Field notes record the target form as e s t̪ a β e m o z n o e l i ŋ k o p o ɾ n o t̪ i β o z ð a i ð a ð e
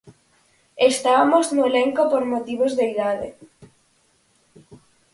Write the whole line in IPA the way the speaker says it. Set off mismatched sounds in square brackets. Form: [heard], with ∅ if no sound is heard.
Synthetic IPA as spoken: e s t̪ a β [a] m o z n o e l [e] ŋ k o p o ɾ [m] o t̪ i β o z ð [e] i ð a ð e